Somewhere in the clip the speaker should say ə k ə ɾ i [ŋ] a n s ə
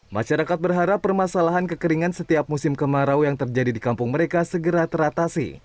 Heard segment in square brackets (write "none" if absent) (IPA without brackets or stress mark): ŋ